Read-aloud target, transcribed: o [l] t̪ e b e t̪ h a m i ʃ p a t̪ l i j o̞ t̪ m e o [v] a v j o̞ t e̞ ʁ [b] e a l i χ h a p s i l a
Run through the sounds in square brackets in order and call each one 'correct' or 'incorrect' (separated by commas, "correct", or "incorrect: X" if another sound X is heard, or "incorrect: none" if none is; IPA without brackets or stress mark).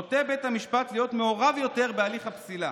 incorrect: none, incorrect: ʁ, correct